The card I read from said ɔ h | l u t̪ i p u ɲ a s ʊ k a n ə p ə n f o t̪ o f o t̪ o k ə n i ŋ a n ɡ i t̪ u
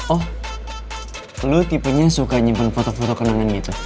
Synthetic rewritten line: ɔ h | l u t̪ i p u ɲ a s u k a ɲ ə p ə n f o t̪ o f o t̪ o k ə n a ŋ a n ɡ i t̪ u